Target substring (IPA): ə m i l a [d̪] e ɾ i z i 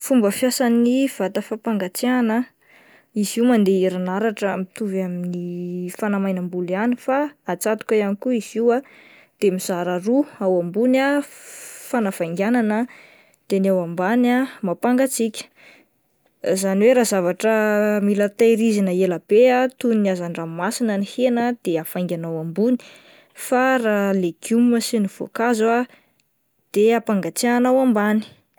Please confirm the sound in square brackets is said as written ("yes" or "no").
no